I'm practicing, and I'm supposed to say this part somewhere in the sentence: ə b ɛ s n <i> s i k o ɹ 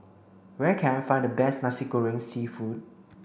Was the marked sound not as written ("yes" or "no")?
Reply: yes